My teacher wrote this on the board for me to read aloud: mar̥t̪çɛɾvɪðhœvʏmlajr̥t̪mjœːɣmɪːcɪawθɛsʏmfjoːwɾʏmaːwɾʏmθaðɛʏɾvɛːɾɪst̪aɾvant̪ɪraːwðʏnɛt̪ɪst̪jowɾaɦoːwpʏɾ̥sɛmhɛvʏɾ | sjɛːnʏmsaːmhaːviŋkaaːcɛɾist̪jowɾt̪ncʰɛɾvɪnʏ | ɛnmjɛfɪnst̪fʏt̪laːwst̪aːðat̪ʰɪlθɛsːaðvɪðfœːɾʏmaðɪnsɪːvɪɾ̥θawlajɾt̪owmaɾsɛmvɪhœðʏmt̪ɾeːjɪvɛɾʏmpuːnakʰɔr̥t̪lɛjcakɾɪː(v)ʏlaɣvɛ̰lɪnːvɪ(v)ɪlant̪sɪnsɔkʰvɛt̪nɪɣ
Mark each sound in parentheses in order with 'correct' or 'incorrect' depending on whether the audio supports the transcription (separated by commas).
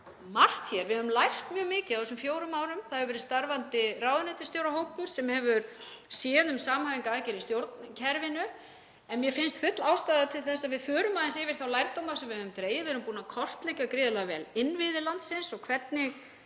incorrect, incorrect